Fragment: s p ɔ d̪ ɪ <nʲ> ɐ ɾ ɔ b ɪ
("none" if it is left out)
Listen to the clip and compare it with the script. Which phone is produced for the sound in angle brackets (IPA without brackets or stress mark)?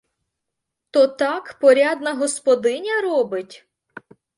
nʲ